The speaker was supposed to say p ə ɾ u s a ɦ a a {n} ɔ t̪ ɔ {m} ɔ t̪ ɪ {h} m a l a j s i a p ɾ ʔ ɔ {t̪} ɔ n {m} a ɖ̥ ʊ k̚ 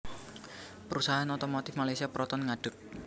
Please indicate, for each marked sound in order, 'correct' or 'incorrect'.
correct, correct, incorrect: f, correct, incorrect: ŋ

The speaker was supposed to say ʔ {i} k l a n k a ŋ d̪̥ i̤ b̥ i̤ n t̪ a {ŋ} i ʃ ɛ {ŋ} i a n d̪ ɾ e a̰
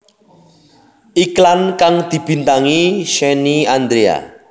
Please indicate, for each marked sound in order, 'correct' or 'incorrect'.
correct, correct, incorrect: n

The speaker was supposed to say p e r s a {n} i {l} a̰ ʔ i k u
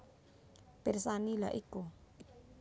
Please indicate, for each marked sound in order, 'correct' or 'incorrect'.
correct, correct

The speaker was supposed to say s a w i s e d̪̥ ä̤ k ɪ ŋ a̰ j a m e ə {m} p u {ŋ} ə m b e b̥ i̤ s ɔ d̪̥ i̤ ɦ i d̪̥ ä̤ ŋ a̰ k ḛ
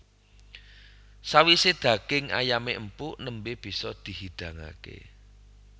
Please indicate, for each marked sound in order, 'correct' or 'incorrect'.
correct, incorrect: n

